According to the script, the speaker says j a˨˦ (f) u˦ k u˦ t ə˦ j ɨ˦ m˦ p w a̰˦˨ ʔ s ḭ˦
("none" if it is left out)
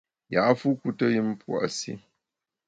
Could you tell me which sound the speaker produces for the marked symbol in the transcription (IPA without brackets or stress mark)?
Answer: f